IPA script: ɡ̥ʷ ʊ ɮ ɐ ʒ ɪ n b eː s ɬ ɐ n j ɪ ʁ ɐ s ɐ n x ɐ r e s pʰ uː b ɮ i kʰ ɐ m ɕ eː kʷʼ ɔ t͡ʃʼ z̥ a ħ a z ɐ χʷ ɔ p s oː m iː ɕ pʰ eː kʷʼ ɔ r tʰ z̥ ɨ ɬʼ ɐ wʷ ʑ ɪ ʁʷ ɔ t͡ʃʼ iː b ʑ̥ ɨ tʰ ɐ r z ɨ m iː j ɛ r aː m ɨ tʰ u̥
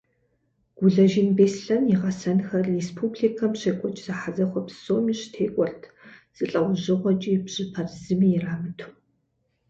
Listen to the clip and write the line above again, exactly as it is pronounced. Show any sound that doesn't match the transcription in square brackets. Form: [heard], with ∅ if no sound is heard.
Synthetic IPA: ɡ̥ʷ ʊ ɮ ɐ ʒ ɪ n b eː s ɬ ɐ n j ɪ ʁ ɐ s ɐ n x ɐ r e s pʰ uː b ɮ i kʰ ɐ m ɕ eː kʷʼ ɔ t͡ʃʼ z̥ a ħ a z ɐ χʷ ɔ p s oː m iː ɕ [tʰ] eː kʷʼ ɔ r tʰ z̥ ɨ ɬʼ ɐ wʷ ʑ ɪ ʁʷ ɔ t͡ʃʼ iː b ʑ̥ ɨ [pʰ] ɐ r z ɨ m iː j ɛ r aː m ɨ tʰ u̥